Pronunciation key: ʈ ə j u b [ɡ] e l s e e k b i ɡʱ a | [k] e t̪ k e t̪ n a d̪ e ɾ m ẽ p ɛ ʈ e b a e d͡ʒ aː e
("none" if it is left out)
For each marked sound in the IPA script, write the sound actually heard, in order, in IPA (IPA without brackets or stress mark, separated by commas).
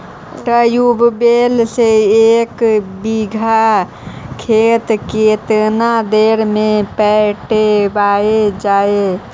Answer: b, kʰ